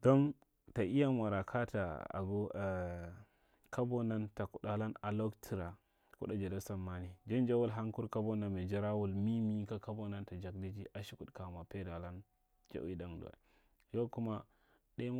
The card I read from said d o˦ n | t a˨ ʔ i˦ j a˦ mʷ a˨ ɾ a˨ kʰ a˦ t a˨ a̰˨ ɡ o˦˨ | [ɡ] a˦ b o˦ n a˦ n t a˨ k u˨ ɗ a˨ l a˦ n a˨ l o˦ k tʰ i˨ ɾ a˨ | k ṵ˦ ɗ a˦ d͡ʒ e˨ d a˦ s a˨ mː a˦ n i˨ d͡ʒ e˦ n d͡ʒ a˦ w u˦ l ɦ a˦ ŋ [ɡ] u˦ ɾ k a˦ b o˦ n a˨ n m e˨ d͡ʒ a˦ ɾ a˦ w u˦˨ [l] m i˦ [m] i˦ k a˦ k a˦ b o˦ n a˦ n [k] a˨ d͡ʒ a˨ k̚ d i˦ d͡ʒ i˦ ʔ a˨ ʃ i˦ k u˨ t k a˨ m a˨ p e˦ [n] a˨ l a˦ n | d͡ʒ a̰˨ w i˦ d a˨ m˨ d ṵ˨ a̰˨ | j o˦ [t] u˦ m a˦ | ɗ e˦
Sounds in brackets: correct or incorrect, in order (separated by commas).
incorrect, incorrect, correct, correct, incorrect, incorrect, incorrect